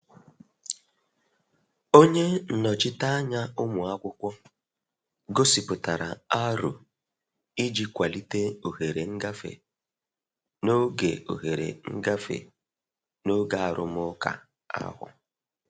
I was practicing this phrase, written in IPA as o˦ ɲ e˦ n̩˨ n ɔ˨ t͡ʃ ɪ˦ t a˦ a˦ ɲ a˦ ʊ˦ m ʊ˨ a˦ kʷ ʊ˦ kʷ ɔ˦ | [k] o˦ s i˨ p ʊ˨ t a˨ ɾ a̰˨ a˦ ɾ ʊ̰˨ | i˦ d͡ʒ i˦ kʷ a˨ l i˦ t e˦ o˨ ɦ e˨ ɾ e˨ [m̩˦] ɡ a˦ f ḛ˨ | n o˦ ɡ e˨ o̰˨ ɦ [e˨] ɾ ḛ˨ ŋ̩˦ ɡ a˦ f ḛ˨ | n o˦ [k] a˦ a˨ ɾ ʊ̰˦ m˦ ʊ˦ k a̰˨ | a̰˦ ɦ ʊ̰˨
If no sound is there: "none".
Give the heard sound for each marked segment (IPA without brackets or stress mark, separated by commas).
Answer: ɡ, ŋ̩˦, e˨, ɡ